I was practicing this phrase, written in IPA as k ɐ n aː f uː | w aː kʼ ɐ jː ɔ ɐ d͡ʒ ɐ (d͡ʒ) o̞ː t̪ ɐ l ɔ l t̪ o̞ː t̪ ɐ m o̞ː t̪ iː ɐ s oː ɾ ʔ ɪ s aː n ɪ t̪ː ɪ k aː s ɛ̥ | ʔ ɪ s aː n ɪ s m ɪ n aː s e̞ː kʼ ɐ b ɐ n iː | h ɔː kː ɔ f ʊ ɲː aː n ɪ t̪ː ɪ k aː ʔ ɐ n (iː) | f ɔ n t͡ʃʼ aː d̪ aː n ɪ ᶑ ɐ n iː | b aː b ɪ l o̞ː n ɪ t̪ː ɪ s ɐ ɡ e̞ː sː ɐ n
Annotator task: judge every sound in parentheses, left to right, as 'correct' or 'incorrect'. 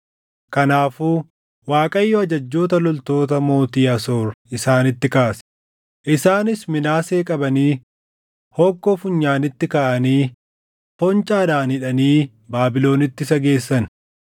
incorrect, correct

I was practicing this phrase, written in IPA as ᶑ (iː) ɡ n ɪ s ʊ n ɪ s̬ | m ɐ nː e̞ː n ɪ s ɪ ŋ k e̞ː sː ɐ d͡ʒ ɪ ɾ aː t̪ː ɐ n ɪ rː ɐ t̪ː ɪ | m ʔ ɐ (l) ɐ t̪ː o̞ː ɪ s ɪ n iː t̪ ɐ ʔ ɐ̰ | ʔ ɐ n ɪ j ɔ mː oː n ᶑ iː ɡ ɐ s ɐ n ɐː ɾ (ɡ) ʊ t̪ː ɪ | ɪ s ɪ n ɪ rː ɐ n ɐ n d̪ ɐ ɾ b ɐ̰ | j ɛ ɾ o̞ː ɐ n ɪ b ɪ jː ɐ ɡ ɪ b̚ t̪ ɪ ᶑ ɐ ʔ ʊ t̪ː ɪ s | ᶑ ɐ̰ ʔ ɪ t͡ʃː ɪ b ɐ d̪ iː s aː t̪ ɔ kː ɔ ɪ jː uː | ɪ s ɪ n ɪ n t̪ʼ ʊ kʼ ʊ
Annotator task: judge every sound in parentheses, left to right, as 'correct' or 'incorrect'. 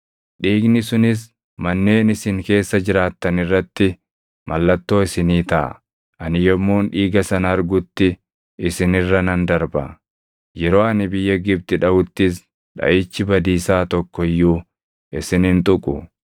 correct, incorrect, correct

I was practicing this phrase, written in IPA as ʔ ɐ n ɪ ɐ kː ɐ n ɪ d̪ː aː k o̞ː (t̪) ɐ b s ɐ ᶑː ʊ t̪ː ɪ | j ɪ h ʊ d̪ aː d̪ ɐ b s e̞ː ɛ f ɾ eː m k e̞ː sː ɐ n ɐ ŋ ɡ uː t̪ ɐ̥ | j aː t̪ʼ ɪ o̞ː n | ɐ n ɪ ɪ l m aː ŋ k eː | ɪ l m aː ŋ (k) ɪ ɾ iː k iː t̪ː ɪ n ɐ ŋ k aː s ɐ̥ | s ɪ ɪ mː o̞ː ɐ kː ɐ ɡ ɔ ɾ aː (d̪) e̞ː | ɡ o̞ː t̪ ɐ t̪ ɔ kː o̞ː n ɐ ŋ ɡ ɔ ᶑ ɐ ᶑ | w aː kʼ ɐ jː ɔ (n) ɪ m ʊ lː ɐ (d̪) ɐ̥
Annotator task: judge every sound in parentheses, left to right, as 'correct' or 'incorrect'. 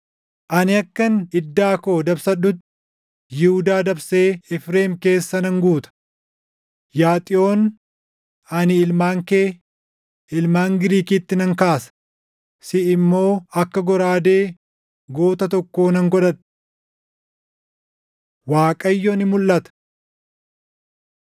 incorrect, incorrect, correct, correct, incorrect

